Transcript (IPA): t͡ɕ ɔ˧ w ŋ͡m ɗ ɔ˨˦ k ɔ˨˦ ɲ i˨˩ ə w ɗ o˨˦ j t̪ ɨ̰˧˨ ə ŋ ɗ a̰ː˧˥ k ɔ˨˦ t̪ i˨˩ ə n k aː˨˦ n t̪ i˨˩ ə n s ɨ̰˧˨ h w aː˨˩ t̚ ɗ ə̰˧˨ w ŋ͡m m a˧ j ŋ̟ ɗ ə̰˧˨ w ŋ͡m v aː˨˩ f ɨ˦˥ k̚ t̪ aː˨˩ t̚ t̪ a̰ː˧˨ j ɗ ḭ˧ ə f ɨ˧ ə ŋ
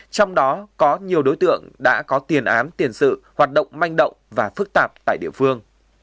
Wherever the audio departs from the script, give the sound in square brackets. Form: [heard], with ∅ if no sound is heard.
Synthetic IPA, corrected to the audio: t͡ɕ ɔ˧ w ŋ͡m ɗ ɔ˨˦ k ɔ˨˦ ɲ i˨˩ ə w ɗ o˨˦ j t̪ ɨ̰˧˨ ə ŋ ɗ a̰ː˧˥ k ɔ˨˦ t̪ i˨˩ ə n [ʔ] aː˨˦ n t̪ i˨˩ ə n s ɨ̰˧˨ h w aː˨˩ t̚ ɗ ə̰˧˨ w ŋ͡m m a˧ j ŋ̟ ɗ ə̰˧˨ w ŋ͡m v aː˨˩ f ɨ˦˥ k̚ t̪ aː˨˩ [p̚] t̪ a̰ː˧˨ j ɗ ḭ˧ ə f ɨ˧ ə ŋ

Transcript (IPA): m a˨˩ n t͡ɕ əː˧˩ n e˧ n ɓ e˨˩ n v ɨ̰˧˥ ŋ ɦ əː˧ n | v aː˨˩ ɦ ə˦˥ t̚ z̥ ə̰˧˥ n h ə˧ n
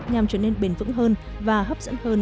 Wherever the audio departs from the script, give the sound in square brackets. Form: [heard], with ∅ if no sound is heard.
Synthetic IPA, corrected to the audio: [ɲ] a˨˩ [m] t͡ɕ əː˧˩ n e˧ n ɓ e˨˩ n v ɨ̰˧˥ ŋ ɦ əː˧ n | v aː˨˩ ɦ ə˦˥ [p̚] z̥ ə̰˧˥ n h [əː˧] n

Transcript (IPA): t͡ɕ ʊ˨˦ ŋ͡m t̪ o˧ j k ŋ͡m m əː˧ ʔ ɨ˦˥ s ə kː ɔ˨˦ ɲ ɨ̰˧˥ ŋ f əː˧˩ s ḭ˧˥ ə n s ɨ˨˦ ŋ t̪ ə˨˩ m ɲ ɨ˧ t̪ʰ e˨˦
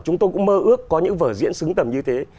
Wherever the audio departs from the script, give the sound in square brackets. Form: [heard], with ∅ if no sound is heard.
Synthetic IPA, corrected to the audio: t͡ɕ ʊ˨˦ ŋ͡m t̪ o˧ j k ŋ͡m m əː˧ ʔ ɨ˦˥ [∅] ə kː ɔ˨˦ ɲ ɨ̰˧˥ ŋ [v] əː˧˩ [z] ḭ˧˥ ə n s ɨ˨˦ ŋ t̪ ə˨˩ m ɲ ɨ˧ t̪ʰ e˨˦

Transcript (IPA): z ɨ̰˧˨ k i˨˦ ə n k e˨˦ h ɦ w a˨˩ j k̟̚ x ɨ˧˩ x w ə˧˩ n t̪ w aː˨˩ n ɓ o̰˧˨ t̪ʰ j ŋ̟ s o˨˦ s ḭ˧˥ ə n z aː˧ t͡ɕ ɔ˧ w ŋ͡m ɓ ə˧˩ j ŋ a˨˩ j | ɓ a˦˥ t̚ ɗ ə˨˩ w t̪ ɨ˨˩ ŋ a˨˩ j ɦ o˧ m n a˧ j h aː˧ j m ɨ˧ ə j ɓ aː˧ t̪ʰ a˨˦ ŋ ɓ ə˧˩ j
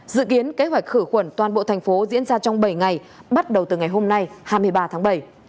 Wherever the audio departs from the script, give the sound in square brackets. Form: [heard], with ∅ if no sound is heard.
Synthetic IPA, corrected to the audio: z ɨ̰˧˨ k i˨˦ ə n k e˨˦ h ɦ w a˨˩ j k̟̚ x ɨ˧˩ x w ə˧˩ n t̪ w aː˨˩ n ɓ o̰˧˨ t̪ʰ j ŋ̟ [f] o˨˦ [z] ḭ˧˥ ə n z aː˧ t͡ɕ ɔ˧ w ŋ͡m ɓ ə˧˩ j ŋ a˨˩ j | ɓ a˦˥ t̚ ɗ ə˨˩ w t̪ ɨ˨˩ ŋ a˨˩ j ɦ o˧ m n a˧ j h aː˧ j m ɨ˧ ə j ɓ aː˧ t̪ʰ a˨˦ ŋ ɓ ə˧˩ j

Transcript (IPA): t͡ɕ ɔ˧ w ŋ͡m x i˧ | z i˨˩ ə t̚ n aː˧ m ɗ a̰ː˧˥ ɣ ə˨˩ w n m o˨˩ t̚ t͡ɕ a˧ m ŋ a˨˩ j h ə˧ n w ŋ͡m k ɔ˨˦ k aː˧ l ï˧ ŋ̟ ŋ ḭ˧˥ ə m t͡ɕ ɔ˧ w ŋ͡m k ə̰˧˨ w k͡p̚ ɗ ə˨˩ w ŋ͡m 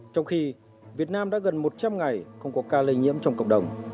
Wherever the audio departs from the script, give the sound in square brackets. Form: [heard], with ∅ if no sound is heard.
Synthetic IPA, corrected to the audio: t͡ɕ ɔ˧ w ŋ͡m x i˧ | [v] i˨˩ ə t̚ n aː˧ m ɗ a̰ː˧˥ ɣ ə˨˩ [∅] n m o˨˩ t̚ t͡ɕ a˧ m ŋ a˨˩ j [x] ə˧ [∅] w ŋ͡m k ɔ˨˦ k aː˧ l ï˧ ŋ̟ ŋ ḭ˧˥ ə m t͡ɕ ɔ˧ w ŋ͡m k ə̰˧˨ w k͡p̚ ɗ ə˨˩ w ŋ͡m

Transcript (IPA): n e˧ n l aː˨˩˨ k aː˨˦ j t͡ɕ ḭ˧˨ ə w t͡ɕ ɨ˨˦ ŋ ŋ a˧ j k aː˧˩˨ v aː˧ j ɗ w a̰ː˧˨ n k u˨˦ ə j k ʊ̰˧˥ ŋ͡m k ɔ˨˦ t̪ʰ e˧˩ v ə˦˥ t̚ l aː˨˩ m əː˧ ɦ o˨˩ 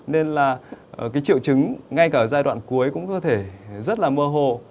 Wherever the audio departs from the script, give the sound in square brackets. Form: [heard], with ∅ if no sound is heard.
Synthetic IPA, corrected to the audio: n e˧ n l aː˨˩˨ k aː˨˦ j t͡ɕ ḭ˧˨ ə w t͡ɕ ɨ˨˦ ŋ ŋ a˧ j k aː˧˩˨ [z] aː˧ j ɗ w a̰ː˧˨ n k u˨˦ ə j k ʊ̰˧˥ ŋ͡m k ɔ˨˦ t̪ʰ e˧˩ [z] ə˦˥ t̚ l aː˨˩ m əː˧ ɦ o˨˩

